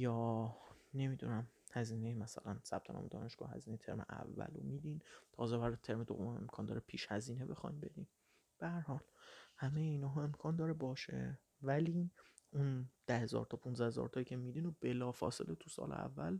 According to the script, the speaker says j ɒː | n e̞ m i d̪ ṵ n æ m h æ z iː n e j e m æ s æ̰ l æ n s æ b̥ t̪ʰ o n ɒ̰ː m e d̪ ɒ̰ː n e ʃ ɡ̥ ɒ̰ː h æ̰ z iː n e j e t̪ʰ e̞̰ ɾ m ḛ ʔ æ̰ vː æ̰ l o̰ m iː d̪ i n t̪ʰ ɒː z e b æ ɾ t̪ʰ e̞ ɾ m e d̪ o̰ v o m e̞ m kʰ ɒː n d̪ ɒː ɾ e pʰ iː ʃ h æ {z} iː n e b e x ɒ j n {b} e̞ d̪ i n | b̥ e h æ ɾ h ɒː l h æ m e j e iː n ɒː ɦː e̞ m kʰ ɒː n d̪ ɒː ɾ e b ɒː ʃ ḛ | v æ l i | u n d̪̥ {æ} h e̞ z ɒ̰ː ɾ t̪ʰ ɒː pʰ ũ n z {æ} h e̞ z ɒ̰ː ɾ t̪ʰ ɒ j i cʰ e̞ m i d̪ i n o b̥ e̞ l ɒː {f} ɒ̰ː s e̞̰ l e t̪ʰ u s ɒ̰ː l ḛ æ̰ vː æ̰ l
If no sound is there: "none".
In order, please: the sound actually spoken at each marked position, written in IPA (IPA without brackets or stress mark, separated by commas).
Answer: z, b, æ, æ, f